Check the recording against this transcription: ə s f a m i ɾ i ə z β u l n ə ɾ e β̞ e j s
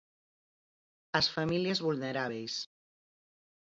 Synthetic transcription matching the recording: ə s f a m i l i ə z β u l n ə ɾ a β̞ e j s